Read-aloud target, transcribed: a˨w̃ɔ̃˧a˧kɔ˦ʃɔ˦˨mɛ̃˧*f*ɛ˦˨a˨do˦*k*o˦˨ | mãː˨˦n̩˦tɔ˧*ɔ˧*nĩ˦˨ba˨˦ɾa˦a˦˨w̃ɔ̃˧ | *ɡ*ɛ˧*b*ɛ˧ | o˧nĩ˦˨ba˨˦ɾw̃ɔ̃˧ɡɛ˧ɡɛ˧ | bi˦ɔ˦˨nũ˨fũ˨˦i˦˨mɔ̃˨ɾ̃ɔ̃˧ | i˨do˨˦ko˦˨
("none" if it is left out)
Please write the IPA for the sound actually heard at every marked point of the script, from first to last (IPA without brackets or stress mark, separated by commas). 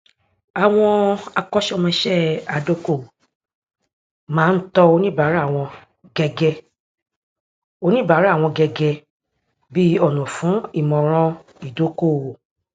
ʃ, k, o˧, ɡ, ɡ